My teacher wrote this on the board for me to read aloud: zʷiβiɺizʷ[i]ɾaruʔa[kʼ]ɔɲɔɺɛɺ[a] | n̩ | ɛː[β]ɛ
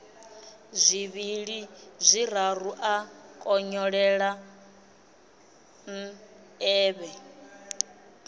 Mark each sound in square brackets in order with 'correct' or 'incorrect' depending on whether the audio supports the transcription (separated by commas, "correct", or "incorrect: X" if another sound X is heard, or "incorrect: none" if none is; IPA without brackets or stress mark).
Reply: correct, correct, correct, correct